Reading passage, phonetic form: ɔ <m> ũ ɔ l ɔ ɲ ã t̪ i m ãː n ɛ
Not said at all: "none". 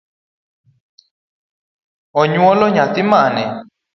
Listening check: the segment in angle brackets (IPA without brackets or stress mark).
ɲ